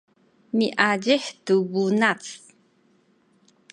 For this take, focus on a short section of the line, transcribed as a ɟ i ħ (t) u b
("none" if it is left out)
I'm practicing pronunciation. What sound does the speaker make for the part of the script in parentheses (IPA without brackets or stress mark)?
t